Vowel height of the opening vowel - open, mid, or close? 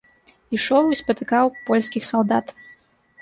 close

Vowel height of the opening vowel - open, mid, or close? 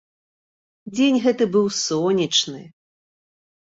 mid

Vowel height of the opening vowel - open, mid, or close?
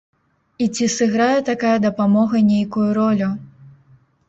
close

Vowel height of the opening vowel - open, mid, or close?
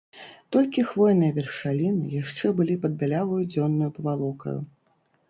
mid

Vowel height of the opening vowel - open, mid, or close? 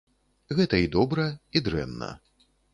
mid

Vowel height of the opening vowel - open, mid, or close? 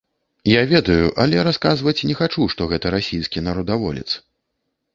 open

